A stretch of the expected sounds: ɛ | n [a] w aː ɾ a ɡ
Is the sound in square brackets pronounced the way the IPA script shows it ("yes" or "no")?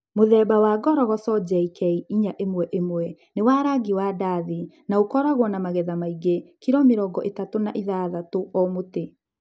no